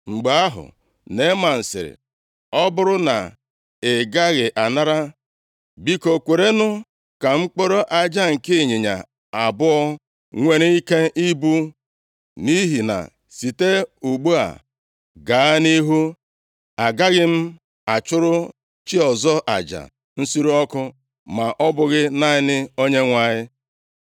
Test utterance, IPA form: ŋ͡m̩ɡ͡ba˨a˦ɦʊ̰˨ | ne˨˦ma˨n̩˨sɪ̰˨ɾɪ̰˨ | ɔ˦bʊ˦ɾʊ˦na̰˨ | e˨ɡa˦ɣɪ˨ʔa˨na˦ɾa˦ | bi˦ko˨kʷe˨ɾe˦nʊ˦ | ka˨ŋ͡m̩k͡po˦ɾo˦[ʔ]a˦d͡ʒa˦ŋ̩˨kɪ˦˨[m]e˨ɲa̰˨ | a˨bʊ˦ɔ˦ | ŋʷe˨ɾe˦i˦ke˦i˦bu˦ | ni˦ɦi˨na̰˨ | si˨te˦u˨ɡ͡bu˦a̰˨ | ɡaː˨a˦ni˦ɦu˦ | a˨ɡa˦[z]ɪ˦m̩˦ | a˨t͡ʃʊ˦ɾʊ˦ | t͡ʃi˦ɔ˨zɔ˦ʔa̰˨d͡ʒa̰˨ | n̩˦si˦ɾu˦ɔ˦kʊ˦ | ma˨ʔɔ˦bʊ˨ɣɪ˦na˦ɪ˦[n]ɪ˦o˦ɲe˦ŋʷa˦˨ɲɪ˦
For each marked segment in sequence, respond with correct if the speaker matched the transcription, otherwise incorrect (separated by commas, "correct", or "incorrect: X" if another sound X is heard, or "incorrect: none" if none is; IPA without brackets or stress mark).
correct, incorrect: ɲ, incorrect: ɣ, correct